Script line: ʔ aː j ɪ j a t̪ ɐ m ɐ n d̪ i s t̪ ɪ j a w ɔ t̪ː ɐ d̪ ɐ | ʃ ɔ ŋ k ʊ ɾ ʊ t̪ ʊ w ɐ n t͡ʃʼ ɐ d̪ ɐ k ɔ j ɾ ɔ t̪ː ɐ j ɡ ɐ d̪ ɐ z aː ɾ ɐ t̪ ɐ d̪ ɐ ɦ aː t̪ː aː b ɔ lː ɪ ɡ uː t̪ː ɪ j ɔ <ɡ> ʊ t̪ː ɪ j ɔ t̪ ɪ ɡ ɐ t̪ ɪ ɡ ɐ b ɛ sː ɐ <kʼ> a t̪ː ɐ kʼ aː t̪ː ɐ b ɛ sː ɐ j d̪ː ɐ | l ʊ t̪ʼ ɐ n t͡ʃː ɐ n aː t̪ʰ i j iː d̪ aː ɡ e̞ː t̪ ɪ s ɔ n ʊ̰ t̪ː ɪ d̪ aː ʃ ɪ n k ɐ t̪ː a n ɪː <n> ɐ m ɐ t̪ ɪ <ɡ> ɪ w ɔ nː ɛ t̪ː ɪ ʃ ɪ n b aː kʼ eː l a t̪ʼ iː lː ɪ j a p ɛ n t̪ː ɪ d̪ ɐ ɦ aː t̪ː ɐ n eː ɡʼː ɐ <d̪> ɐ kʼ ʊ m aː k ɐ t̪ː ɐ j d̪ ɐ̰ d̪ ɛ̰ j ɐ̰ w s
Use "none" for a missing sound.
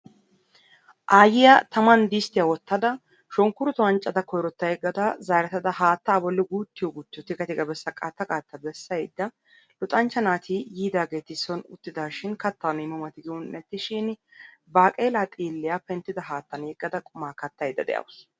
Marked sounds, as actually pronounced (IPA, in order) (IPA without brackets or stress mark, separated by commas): ɡ, kʼ, m, ɡ, d̪